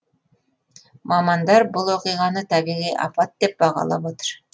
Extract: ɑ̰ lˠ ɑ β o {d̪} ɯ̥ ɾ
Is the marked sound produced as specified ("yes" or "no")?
no